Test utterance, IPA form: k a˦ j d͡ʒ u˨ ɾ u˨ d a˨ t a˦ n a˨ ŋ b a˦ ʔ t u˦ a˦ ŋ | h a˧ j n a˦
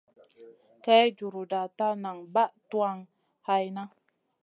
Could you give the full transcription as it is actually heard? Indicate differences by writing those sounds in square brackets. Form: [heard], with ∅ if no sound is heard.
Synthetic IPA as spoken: k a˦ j d͡ʒ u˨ ɾ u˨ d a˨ t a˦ n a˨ ŋ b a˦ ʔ t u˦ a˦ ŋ | h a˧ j n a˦